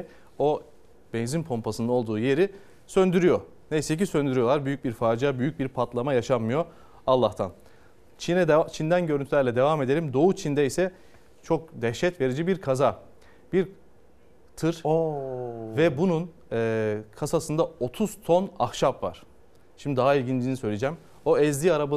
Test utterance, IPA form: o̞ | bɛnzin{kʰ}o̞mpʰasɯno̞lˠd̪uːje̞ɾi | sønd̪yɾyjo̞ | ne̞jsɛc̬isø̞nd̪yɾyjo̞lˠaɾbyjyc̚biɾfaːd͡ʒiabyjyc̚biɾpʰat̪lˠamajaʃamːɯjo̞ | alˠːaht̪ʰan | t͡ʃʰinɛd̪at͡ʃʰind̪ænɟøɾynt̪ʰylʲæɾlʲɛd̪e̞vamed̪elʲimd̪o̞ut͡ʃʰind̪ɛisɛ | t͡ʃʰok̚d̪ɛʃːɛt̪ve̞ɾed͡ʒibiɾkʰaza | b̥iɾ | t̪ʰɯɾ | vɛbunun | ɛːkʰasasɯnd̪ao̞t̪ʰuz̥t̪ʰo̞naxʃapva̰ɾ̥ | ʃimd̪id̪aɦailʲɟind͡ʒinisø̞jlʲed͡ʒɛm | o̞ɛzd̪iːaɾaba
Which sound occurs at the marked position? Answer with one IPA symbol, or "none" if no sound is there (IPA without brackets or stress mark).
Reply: pʰ